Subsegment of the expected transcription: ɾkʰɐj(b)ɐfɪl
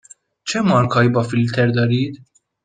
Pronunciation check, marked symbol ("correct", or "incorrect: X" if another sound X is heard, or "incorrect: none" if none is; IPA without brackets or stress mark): correct